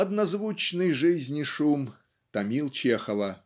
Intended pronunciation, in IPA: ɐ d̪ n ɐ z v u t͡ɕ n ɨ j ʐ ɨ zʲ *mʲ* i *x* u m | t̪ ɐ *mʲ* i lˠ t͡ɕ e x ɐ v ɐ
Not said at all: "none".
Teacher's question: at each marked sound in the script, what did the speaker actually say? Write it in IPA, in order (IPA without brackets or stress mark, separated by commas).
nʲ, ʂ, mʲ